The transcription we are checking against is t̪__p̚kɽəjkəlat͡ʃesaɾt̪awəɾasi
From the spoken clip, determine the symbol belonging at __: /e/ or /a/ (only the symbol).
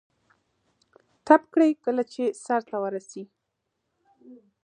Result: a